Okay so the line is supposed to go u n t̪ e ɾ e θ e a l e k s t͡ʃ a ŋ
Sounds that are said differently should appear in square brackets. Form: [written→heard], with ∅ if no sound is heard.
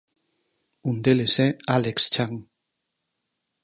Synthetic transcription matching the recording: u n [t̪→d̪] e [ɾ→l] e [θ→s] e a l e k s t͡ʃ a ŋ